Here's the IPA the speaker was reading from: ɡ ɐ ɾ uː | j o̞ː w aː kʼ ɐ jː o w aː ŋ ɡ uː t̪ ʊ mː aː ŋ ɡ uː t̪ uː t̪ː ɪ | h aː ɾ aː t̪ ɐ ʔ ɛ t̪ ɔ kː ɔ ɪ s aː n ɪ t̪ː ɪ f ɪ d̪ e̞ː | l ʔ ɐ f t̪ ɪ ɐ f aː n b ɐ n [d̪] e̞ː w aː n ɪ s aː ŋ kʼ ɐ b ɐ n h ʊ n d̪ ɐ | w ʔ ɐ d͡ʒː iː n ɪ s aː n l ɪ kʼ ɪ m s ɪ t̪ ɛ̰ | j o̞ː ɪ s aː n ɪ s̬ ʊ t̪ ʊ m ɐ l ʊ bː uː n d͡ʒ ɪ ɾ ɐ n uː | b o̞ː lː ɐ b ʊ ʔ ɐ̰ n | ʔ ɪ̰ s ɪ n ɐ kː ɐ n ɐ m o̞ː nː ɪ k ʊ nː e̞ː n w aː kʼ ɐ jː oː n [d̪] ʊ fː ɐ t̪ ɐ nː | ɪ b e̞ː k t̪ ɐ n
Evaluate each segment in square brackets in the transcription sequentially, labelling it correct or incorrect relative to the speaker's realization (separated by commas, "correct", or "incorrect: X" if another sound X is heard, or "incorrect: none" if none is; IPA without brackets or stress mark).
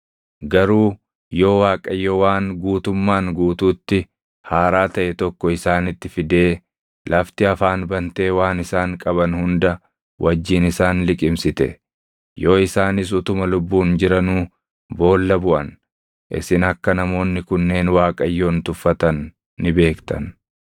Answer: incorrect: t̪, incorrect: t̪